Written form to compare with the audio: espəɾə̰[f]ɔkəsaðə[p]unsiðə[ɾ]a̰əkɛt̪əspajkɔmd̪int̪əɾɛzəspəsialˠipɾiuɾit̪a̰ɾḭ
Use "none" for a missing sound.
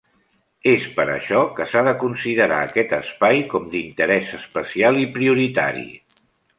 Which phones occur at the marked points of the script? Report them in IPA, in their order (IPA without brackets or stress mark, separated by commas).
ʃ, k, ɾ